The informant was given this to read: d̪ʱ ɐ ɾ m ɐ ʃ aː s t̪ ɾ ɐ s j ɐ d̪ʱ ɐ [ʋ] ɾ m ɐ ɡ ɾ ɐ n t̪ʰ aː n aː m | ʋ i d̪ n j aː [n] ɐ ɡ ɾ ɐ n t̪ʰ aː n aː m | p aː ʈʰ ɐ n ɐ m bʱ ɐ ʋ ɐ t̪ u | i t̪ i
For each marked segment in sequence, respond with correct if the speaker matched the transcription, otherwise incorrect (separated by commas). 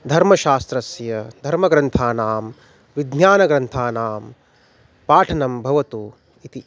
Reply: incorrect, correct